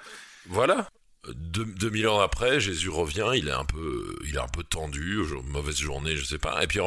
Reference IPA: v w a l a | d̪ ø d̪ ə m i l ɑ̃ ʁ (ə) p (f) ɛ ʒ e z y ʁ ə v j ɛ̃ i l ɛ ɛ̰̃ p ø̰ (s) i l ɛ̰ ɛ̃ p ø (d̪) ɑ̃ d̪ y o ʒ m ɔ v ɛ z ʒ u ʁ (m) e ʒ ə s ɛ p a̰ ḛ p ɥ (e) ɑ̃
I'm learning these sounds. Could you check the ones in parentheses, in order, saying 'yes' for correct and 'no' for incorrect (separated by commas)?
no, no, no, no, no, no